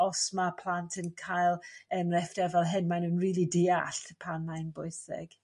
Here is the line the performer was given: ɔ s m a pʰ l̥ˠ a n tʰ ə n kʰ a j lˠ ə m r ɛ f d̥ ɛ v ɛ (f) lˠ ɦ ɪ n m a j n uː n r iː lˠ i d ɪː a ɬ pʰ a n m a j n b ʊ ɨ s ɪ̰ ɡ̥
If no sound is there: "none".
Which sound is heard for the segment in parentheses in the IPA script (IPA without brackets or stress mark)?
none